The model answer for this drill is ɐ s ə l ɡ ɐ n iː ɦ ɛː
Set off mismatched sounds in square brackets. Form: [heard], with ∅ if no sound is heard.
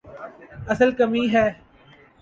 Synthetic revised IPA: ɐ s ə l [k] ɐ [m] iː ɦ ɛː